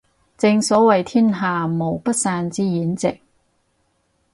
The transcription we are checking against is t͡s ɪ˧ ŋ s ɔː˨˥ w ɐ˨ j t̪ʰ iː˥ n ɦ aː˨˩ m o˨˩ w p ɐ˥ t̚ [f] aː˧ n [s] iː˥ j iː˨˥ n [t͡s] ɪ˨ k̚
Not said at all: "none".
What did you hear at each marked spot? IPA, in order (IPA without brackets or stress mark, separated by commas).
s, t͡s, t͡s